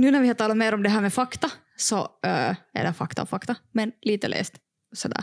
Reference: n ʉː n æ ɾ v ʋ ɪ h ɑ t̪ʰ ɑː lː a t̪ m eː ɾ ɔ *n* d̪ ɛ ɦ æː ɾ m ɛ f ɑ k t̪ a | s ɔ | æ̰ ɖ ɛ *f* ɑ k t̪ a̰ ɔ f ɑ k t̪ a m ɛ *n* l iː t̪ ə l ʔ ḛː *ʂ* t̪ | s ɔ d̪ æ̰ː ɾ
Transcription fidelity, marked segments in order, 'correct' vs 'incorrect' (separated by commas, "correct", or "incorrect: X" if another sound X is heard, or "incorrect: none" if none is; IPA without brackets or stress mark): incorrect: m, correct, correct, incorrect: s